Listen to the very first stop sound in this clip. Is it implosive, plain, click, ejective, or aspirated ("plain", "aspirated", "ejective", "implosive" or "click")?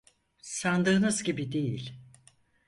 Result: plain